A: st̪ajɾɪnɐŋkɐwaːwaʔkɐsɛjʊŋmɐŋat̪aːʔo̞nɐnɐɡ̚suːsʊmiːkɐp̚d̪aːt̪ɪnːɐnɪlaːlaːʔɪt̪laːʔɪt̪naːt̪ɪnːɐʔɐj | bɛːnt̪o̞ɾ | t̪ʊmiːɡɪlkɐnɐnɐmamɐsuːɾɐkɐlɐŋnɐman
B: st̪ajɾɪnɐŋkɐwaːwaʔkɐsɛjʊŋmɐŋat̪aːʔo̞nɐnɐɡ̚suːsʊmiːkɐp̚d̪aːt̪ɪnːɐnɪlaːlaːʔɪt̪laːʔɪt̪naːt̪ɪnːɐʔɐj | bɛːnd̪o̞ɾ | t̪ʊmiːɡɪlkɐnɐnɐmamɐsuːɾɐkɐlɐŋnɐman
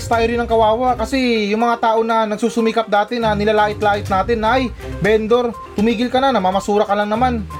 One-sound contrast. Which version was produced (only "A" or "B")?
B